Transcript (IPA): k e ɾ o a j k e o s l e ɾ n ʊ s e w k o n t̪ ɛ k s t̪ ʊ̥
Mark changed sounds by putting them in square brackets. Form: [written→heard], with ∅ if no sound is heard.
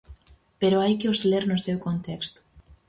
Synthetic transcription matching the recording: [k→p] e ɾ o a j k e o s l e ɾ n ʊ s e w k o n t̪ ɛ k s t̪ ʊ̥